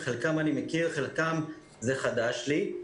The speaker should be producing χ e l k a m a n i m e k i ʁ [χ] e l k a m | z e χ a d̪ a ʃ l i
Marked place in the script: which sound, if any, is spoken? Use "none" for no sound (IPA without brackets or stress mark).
χ